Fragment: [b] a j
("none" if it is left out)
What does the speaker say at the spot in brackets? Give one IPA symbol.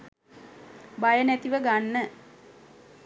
b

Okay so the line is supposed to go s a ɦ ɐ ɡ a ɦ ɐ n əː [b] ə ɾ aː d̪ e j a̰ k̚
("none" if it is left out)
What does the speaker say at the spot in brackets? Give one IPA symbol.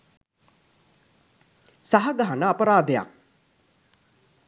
p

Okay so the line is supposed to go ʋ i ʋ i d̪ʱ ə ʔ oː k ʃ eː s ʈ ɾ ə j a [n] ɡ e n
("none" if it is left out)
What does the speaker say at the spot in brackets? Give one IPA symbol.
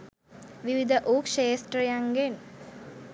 ŋ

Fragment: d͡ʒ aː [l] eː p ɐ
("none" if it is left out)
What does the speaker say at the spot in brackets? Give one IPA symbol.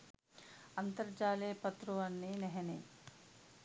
l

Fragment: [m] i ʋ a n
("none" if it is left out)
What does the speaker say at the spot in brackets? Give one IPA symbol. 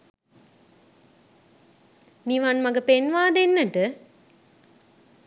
n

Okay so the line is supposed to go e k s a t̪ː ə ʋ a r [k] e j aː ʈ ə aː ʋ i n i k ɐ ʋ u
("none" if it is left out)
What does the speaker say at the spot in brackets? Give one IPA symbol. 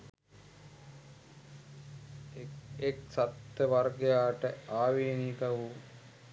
ɡ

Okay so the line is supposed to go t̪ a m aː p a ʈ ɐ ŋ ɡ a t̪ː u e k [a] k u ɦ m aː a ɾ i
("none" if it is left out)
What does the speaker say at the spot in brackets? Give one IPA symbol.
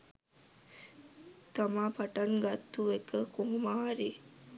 ə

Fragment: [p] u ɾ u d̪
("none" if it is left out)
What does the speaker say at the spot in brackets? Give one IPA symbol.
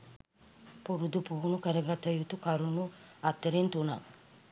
p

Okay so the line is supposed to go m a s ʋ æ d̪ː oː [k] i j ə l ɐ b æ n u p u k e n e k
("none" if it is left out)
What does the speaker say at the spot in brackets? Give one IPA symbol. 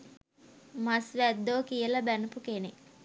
k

